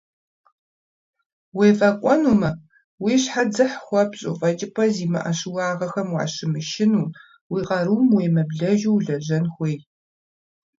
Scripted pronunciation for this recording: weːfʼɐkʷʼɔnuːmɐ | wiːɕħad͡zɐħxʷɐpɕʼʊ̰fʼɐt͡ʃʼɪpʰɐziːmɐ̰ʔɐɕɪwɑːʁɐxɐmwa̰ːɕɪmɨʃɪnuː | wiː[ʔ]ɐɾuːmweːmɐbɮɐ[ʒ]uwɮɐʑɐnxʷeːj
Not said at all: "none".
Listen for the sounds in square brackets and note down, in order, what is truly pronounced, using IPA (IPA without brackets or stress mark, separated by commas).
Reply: q, ʒ